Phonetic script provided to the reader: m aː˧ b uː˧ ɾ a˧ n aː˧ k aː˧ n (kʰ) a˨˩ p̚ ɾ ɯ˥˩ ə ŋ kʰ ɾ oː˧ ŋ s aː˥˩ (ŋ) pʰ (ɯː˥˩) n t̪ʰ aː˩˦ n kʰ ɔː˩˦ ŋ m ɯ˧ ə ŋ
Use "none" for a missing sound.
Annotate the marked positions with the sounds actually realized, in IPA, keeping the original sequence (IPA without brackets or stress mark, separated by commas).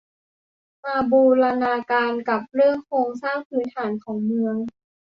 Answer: k, ŋ, ɯː˩˦